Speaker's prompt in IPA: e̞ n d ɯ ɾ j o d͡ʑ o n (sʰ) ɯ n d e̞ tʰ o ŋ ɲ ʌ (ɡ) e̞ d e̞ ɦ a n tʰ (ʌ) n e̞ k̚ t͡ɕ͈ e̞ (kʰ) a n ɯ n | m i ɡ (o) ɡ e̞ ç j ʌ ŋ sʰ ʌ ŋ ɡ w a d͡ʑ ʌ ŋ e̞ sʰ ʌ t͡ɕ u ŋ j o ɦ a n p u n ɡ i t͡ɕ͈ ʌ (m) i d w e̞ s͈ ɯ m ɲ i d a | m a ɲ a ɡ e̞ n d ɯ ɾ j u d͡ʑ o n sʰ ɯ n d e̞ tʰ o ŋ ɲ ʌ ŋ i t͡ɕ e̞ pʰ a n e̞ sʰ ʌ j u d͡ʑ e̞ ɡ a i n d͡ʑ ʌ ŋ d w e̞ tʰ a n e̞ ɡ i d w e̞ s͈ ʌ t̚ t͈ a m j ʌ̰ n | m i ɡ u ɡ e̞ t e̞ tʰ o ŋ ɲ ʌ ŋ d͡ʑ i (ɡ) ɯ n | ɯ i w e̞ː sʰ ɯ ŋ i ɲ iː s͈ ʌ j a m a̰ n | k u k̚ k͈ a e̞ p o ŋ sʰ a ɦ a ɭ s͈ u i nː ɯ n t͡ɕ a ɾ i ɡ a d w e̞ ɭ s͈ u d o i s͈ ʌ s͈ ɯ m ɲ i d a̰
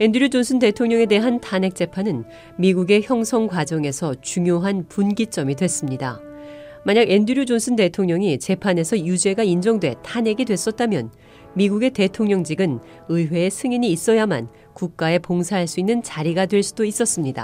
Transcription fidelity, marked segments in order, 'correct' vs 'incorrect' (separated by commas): correct, incorrect, incorrect, incorrect, incorrect, correct, correct